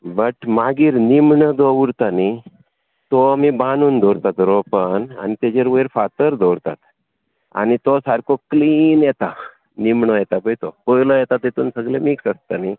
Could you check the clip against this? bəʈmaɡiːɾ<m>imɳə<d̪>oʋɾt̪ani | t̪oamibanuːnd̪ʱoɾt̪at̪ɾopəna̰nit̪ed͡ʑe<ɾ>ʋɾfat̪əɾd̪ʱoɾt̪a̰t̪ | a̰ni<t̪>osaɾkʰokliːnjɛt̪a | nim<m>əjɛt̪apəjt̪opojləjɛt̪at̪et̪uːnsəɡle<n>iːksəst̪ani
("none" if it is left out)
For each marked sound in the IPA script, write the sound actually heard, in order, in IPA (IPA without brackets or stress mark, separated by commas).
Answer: n, d̪, ɾ, t̪, ɳ, m